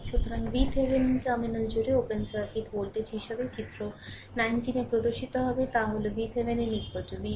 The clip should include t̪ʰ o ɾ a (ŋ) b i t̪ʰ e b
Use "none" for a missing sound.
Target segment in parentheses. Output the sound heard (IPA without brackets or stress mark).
ŋ